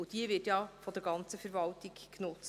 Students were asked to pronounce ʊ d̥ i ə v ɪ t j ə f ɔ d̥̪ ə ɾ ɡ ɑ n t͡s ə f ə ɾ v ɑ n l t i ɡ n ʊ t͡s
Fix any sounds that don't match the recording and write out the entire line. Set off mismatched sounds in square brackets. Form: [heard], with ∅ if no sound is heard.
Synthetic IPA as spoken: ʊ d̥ i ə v ɪ t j [ɑ] f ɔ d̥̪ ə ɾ ɡ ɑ n t͡s ə f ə ɾ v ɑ [∅] l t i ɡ n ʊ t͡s